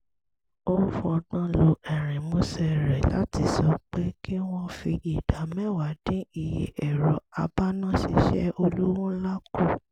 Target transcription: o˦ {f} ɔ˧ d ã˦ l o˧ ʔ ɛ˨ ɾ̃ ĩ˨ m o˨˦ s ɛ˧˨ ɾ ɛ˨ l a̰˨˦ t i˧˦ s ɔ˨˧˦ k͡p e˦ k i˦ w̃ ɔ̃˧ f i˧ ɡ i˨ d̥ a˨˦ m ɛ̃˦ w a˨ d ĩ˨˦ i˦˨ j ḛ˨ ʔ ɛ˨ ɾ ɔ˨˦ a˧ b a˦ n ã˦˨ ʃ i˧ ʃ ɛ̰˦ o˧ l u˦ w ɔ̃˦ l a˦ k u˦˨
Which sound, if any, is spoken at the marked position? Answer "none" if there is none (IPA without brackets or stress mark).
f